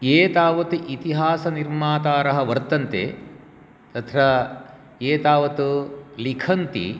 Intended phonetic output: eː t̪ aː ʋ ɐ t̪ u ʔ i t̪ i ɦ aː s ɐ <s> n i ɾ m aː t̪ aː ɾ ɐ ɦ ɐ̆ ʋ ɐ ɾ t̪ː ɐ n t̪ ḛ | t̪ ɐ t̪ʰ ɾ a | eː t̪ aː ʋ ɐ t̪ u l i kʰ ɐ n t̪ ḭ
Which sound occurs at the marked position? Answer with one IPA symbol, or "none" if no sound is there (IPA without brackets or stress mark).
none